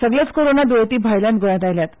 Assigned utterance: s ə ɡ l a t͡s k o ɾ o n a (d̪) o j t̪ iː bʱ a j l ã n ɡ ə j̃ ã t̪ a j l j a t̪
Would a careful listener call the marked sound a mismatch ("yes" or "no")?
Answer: no